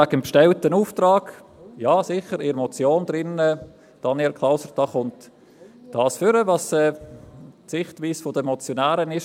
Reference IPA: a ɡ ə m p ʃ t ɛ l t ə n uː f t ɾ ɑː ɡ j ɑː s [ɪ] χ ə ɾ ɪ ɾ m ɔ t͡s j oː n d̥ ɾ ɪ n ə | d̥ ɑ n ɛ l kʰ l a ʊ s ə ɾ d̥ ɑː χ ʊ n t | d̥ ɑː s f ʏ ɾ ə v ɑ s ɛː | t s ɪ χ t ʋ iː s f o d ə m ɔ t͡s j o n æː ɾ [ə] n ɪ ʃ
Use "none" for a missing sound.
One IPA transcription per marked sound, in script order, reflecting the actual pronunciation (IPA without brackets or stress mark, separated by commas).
ɪ, ə